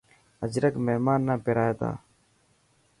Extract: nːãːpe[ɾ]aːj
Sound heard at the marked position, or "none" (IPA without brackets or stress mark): ɾ